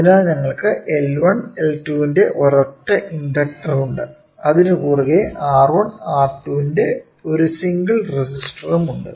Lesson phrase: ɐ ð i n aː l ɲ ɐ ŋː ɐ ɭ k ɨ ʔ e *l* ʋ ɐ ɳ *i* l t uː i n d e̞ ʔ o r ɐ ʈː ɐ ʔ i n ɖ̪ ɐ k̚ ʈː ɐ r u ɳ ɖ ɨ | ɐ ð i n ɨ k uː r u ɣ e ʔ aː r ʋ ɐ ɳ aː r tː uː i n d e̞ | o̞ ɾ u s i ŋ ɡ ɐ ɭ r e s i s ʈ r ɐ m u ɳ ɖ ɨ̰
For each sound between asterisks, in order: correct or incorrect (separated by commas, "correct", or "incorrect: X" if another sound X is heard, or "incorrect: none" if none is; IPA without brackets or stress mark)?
correct, incorrect: e